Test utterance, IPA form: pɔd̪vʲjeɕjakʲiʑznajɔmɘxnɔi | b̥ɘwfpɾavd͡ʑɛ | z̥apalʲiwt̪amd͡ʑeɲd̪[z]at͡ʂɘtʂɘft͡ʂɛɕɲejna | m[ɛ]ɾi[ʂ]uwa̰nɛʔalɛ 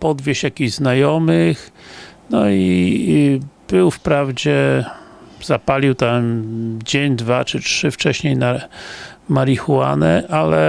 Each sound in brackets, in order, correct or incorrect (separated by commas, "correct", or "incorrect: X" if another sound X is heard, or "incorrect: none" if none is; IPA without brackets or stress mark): incorrect: v, incorrect: a, incorrect: x